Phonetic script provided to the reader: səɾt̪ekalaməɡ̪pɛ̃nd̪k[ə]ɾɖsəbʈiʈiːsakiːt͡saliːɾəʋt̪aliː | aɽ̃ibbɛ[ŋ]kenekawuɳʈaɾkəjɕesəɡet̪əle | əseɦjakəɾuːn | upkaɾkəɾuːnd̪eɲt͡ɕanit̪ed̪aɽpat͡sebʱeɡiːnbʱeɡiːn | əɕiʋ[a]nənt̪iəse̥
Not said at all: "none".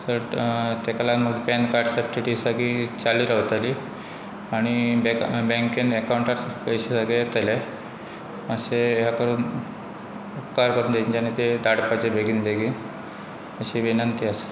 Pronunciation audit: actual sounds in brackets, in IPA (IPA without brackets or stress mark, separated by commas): a, ŋ, i